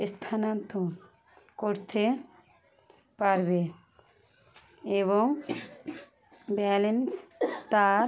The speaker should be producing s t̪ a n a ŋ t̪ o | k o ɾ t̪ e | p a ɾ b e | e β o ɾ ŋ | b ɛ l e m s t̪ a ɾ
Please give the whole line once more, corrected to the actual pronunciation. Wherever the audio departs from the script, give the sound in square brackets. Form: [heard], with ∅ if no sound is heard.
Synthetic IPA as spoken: s [t̪ʰ] a n a [n] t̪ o | k o ɾ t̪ e | p a ɾ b e | e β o [∅] ŋ | b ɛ l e [n] s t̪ a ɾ